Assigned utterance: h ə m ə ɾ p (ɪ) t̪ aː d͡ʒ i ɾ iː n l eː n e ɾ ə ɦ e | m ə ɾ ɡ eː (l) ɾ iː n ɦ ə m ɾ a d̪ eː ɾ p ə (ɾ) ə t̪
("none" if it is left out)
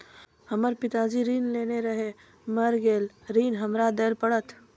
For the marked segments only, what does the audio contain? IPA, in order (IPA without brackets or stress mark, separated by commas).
ɪ, l, ɽ